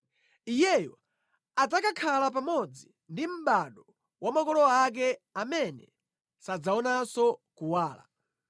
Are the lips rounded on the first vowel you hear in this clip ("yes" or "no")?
no